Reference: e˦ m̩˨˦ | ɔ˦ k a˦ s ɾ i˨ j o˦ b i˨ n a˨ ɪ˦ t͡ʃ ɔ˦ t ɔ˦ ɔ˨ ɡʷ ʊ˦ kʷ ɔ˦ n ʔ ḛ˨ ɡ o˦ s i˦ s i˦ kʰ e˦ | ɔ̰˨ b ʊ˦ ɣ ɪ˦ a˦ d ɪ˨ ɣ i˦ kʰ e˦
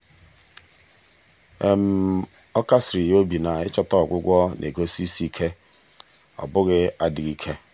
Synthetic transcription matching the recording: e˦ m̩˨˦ | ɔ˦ k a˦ s ɾ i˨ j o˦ b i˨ n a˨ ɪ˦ t͡ʃ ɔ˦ t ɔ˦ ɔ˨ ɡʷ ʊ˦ ɡʷ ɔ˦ n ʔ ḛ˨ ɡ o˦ s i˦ s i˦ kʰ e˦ | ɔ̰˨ b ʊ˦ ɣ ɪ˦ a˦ d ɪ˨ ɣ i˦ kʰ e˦